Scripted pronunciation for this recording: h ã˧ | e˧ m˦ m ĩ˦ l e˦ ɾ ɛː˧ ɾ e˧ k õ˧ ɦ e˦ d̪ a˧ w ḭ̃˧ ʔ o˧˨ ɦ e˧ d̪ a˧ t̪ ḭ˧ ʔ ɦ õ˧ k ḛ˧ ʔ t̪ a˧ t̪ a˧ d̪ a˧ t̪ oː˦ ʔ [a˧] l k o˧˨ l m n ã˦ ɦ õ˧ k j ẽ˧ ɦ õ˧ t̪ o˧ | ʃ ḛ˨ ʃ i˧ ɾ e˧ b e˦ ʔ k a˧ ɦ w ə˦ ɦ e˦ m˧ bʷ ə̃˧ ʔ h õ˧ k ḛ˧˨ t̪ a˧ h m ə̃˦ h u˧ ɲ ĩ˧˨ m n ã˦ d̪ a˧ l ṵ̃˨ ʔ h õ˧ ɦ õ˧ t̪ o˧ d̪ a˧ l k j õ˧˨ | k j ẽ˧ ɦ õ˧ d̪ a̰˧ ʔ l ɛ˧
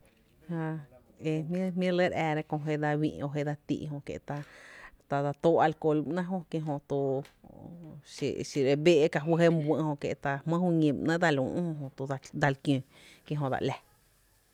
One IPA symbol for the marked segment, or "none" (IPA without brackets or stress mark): a˧